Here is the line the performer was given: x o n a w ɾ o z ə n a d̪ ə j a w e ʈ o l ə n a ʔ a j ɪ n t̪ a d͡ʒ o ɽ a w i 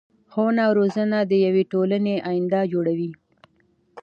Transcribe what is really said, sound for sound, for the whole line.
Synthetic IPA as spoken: x o n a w ɾ o z ə n a d̪ ə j a w e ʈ o l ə n e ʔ a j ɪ n d̪ a d͡ʒ o ɽ a w i